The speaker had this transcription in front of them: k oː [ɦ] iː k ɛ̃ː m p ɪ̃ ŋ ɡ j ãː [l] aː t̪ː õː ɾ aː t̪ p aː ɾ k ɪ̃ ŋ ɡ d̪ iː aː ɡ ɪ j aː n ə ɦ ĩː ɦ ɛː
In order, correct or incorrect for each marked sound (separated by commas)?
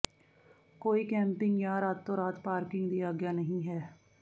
incorrect, incorrect